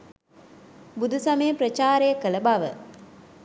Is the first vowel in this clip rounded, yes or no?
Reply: yes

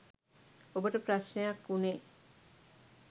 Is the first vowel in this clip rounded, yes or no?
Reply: yes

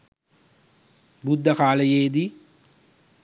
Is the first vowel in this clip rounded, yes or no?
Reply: yes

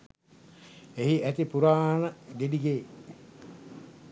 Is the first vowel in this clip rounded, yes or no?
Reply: no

